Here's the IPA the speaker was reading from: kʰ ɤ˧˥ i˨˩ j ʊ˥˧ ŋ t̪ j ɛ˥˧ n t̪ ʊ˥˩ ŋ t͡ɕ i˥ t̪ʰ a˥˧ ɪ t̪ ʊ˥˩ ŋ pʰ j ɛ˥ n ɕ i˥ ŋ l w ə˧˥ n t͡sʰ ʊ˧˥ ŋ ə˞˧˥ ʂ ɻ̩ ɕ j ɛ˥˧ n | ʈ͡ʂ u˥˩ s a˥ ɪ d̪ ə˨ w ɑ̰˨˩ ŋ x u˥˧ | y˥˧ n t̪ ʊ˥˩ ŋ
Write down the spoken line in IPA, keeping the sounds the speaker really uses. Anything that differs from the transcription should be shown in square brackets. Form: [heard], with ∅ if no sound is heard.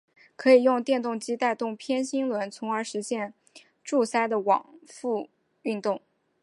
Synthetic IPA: kʰ ɤ˧˥ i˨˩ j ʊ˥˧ ŋ t̪ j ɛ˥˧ n t̪ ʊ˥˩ ŋ t͡ɕ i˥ [t̪] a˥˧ ɪ t̪ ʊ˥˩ ŋ pʰ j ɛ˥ n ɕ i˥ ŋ l w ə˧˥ n t͡sʰ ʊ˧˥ ŋ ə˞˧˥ ʂ ɻ̩ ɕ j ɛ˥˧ n | ʈ͡ʂ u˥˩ s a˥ ɪ d̪ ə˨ w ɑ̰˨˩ ŋ [f] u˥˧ | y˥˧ n t̪ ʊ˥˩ ŋ